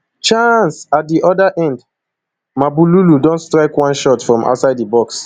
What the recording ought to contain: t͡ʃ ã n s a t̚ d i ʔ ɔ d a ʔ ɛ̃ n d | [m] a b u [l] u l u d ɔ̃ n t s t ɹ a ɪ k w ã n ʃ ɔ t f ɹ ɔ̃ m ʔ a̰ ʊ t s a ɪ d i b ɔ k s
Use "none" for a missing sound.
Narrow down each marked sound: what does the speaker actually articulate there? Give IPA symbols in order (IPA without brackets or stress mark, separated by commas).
m, l